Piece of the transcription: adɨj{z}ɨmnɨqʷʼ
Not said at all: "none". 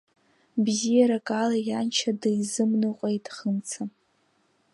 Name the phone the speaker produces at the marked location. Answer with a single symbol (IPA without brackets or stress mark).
z